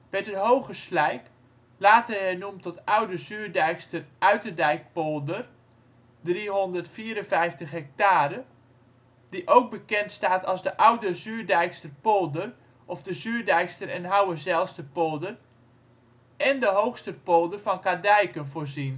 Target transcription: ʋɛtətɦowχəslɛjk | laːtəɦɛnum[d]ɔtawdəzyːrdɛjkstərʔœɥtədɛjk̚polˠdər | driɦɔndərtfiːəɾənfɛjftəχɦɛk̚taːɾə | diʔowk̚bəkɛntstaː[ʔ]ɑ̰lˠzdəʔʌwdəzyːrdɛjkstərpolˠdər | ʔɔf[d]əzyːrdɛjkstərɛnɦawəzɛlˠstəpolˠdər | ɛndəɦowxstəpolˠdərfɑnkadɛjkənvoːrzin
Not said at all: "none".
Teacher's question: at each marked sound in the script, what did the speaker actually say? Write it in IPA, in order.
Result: t, t, d

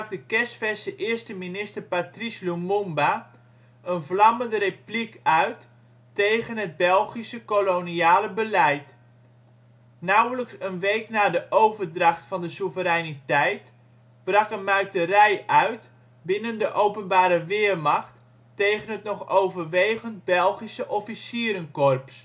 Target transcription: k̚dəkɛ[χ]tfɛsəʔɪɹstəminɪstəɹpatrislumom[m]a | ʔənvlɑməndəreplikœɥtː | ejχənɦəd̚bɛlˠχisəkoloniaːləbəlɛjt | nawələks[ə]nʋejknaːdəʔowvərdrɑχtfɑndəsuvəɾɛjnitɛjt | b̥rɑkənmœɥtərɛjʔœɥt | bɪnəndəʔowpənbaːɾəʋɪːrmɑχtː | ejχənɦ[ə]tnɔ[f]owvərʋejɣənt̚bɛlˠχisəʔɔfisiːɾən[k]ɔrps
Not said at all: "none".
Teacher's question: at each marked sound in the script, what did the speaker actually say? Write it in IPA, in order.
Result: s, b, ə, ə, χ, k

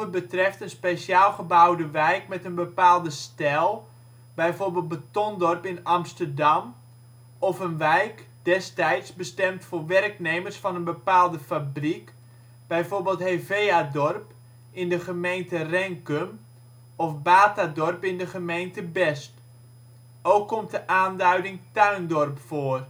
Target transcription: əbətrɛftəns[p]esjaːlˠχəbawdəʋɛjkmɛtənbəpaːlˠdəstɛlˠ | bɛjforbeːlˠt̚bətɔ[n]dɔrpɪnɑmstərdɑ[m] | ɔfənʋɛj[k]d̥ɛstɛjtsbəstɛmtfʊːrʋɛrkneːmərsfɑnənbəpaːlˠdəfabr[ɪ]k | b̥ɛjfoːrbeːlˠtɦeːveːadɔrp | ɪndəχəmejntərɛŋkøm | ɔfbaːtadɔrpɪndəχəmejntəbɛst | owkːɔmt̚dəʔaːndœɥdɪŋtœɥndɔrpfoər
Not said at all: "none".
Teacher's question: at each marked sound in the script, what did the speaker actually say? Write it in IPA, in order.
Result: p, n, m, k, i

